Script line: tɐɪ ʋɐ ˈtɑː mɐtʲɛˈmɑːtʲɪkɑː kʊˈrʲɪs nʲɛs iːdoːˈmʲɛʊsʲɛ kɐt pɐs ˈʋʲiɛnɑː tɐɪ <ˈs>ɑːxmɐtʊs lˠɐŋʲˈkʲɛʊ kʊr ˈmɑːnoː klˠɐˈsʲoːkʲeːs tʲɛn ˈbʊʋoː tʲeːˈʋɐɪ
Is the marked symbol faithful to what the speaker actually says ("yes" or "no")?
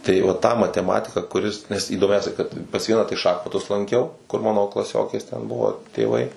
no